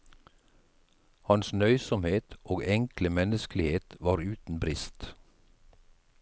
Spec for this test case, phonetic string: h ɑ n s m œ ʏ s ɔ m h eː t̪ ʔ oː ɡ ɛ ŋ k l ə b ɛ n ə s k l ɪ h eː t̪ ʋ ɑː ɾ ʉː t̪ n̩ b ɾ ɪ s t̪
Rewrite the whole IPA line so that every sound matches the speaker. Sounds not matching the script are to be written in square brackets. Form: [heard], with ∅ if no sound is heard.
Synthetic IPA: h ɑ n s [n] œ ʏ s ɔ m h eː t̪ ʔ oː ɡ ɛ ŋ k l ə [m] ɛ n ə s k l ɪ h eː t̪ ʋ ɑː ɾ ʉː t̪ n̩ b ɾ ɪ s t̪